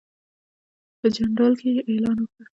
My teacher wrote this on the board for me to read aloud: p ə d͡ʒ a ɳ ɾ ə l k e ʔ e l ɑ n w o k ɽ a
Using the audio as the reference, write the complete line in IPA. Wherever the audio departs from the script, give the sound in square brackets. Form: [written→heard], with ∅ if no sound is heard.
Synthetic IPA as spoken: p ə d͡ʒ a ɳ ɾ [ə→ɑ] l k e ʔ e l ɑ n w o k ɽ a